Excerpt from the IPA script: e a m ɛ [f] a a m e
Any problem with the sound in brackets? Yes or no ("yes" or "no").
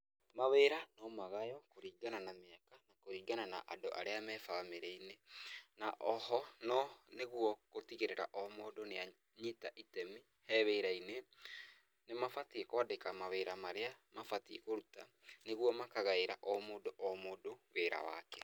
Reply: no